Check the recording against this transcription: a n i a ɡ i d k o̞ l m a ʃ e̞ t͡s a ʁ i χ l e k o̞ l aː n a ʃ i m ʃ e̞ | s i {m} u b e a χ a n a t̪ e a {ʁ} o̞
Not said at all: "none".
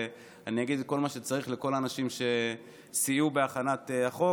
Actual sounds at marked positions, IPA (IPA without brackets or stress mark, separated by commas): none, χ